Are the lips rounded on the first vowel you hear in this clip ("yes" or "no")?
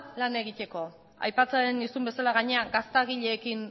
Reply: no